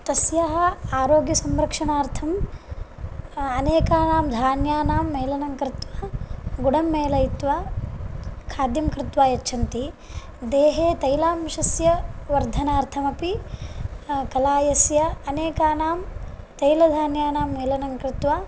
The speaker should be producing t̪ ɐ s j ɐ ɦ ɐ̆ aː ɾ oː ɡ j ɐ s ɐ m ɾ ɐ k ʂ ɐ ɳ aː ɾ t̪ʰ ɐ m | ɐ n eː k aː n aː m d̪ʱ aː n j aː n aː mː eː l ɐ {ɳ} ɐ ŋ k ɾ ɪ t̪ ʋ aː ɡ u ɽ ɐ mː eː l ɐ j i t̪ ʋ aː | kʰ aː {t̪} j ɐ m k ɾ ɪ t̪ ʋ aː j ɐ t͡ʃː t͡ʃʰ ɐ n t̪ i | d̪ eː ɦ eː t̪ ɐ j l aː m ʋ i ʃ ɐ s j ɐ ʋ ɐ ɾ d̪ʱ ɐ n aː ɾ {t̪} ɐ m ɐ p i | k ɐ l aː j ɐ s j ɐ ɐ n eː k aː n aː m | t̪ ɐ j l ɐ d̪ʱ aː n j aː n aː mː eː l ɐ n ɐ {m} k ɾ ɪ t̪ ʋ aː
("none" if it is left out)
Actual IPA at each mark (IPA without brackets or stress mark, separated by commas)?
n, d̪, t̪ʰ, ŋ